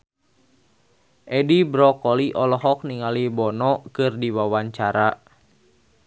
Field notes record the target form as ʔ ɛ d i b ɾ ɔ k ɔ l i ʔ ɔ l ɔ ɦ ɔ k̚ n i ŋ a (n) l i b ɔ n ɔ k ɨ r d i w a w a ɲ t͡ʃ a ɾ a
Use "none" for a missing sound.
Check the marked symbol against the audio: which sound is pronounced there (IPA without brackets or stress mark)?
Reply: none